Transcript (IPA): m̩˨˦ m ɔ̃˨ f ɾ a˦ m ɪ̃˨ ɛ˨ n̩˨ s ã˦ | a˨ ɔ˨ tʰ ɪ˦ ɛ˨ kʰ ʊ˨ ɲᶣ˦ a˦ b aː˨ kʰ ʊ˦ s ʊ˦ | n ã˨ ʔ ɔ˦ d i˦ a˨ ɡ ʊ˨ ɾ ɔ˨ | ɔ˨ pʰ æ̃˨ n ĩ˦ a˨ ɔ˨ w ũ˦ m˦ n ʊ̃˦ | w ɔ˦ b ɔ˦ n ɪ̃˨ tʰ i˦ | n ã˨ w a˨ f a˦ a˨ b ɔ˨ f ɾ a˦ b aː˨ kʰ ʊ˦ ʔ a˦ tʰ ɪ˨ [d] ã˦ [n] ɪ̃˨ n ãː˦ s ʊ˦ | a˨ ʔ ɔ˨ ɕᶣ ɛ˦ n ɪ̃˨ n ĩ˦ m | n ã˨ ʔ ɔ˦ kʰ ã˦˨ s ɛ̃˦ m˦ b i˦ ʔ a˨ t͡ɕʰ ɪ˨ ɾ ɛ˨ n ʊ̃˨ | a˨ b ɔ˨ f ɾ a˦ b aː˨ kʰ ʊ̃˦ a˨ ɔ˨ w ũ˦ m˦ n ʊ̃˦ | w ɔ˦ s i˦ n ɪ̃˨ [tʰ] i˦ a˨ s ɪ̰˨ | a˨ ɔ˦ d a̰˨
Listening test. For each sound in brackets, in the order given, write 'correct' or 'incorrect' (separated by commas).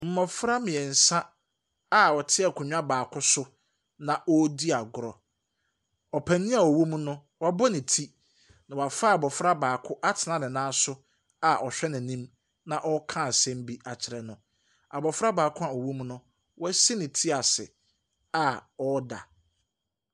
incorrect, correct, correct